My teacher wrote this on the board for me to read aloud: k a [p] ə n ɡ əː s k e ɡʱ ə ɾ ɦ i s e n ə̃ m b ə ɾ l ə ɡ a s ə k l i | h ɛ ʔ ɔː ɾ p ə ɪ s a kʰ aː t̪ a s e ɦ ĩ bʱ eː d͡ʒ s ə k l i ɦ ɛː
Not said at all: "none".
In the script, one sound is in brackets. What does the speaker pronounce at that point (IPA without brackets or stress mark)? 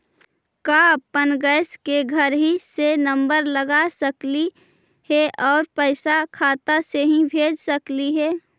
p